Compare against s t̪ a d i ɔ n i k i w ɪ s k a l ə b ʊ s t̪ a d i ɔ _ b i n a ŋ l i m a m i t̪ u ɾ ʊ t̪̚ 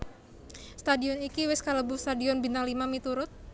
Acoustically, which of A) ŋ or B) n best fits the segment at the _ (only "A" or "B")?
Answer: B